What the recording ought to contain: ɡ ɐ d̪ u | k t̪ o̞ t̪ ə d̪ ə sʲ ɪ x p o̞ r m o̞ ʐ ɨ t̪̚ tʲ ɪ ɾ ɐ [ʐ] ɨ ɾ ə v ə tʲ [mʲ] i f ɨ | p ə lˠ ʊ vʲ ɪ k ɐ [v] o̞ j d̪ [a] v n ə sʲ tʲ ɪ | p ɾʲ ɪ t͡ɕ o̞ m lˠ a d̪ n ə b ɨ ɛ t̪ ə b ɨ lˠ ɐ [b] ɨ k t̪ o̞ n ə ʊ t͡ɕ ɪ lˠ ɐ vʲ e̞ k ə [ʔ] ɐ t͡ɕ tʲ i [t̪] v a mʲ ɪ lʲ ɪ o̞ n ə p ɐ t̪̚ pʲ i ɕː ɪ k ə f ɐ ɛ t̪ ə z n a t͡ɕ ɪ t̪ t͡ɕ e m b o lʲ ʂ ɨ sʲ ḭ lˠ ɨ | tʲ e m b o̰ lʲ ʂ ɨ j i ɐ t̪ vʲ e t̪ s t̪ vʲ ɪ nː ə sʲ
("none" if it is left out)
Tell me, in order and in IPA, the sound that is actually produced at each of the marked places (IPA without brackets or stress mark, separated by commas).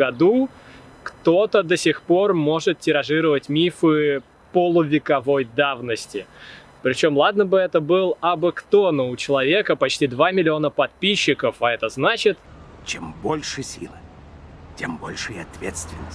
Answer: ʐ, mʲ, v, a, b, p, d̪